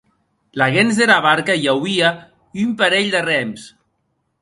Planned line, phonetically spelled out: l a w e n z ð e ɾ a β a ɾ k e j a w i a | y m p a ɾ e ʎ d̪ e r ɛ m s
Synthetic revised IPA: l a ɣ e n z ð e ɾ a β a ɾ k a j a w i a | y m p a ɾ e ʎ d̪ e r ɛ m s